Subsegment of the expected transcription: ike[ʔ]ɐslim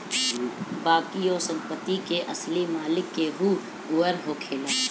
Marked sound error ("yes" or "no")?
no